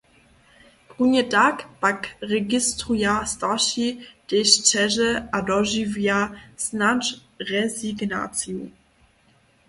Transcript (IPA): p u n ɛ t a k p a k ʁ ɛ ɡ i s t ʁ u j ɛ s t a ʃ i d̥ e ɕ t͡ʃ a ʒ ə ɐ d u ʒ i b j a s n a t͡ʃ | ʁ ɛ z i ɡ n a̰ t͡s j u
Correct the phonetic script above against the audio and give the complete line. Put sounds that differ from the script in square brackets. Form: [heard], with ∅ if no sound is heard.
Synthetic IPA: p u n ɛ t a k p a k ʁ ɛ ɡ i s t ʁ u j [a] s t a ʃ i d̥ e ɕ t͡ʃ [ɛ] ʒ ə [a] d [ɔ] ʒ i [v] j a s n a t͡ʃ | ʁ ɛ z i ɡ n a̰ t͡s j u